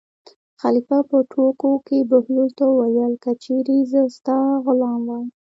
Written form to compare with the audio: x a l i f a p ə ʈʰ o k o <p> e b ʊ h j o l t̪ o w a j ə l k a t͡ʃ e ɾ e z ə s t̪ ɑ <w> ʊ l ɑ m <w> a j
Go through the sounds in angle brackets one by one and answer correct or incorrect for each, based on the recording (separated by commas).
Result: incorrect, incorrect, correct